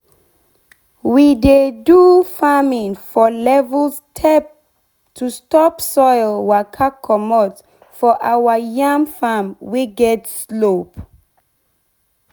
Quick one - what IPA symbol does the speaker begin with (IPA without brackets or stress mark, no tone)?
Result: w